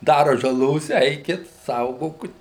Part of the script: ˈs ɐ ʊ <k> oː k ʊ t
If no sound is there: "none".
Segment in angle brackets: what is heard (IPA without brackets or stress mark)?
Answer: ɡ